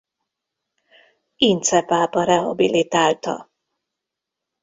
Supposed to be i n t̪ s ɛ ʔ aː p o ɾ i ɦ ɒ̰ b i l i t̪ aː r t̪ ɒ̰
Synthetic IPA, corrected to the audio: i n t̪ s ɛ p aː p ɒ ɾ ɛ ɦ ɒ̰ b i l i t̪ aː l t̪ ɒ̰